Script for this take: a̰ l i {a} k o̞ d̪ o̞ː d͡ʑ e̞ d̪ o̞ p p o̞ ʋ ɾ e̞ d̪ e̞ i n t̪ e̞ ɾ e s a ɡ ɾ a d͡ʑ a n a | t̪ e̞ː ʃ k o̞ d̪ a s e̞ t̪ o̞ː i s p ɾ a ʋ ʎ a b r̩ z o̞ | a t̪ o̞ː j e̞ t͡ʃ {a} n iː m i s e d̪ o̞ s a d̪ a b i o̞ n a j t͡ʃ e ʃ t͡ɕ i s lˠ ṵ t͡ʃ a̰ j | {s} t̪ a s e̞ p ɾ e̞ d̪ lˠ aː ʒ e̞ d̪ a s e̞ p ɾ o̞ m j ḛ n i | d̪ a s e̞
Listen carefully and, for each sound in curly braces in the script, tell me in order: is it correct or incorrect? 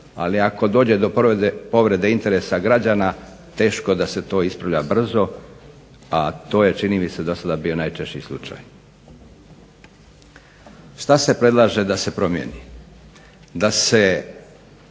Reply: correct, incorrect: i, incorrect: ʃ

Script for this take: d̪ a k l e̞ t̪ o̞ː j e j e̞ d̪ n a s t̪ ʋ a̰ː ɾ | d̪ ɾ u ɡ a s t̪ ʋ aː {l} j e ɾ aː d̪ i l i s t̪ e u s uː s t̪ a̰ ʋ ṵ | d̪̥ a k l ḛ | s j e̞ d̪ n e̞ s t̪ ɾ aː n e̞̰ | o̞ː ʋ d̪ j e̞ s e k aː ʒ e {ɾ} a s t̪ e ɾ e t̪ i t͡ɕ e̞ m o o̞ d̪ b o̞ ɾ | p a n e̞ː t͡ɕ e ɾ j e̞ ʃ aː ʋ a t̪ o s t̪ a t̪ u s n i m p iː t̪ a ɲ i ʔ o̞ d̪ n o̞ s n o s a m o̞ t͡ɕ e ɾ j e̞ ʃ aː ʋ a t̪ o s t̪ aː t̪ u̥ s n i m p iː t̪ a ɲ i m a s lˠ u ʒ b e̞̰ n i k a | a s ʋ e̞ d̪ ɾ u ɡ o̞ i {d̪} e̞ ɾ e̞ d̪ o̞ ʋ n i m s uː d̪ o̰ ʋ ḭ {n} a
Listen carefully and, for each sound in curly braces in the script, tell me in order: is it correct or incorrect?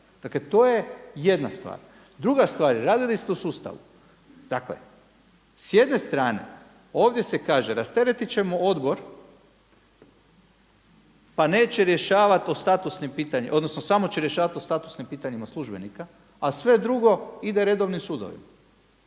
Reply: incorrect: ɾ, correct, correct, incorrect: m

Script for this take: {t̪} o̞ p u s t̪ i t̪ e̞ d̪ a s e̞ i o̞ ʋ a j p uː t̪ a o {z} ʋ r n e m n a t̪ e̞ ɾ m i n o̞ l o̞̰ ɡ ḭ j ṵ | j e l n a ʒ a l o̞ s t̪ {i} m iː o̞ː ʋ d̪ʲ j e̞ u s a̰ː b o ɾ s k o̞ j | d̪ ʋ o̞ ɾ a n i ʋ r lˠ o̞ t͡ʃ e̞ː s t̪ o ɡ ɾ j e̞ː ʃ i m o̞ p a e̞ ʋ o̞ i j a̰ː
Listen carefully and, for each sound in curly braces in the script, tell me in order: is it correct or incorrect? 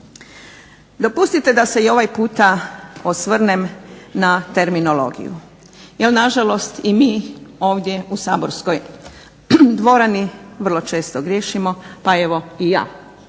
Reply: incorrect: d̪, incorrect: s, correct

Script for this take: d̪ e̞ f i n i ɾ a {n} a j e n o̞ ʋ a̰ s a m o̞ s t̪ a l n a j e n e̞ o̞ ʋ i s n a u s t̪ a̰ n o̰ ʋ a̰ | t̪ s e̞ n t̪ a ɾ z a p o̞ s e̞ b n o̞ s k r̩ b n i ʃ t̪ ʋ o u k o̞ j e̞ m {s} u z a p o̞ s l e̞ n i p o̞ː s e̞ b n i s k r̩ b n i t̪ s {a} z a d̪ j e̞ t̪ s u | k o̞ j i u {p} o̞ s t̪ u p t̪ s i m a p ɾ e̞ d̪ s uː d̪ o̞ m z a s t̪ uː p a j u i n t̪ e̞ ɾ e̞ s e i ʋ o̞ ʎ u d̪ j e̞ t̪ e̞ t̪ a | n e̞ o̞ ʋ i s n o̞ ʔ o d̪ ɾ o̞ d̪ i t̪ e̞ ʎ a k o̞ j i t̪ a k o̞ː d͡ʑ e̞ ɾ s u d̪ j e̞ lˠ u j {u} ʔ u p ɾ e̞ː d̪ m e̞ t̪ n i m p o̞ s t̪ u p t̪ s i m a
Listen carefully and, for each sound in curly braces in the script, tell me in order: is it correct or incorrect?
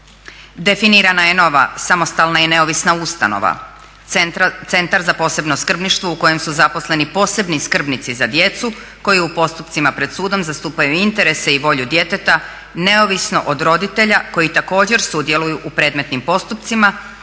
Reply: correct, correct, incorrect: i, correct, correct

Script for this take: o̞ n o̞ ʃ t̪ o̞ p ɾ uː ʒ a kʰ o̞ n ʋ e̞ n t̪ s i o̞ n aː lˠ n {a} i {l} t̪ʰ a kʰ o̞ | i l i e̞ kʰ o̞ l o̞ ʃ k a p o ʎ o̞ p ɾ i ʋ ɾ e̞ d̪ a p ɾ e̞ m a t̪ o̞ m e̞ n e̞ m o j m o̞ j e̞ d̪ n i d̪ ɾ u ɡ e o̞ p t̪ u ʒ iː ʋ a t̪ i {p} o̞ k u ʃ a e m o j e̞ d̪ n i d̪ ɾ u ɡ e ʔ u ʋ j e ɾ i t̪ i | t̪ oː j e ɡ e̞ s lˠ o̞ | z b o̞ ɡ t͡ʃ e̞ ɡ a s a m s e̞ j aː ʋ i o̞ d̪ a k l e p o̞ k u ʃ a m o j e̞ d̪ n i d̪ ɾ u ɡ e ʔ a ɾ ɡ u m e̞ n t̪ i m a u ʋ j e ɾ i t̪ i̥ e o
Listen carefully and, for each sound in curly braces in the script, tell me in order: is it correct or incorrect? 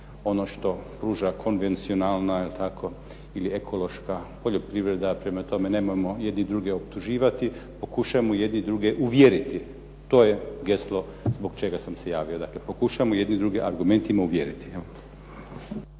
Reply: correct, correct, correct

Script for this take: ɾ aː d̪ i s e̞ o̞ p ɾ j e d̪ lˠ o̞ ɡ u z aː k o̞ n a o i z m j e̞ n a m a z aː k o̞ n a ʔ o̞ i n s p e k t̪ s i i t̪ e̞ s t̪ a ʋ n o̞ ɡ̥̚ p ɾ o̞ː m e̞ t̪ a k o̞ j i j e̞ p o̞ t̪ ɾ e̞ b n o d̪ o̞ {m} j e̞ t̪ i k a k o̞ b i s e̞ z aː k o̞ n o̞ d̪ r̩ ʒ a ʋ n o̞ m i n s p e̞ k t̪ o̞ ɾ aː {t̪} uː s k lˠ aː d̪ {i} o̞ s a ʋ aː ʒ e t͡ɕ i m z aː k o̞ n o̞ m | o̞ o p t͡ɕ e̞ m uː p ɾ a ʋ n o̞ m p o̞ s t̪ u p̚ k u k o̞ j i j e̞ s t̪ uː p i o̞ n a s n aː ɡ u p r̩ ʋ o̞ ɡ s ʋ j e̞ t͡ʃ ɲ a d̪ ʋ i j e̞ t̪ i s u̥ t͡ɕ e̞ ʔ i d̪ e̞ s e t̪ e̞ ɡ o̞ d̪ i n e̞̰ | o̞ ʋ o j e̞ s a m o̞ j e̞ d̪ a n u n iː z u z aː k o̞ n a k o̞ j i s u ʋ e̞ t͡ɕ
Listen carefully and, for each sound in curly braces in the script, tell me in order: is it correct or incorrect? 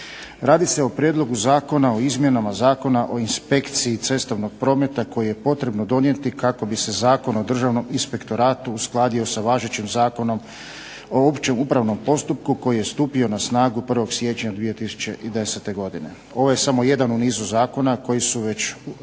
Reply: incorrect: n, correct, correct

